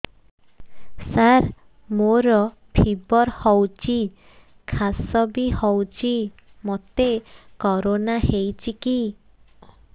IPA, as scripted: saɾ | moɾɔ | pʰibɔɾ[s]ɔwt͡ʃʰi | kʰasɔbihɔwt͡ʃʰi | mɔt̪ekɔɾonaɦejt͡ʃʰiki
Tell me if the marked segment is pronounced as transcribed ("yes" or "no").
no